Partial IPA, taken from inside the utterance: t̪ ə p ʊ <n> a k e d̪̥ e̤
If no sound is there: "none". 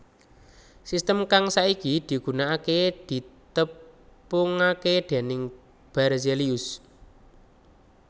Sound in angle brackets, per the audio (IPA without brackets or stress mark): ŋ